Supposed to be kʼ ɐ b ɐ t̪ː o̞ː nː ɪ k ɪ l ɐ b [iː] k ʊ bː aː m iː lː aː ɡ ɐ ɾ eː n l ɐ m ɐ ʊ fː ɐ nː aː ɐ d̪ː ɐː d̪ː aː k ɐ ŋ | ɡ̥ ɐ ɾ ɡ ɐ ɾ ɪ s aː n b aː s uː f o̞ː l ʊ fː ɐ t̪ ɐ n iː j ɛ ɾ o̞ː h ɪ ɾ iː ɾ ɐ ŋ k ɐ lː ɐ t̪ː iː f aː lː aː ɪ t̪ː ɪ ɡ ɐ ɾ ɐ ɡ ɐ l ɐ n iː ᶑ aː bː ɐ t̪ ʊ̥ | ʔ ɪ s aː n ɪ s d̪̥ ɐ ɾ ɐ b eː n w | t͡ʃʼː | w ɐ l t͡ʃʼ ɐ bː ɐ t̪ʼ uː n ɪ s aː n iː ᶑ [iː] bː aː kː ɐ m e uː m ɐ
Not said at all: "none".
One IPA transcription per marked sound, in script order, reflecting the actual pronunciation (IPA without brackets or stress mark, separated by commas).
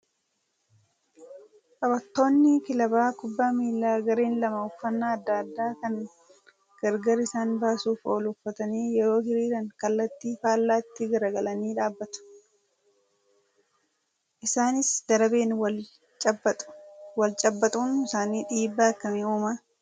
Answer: aː, iː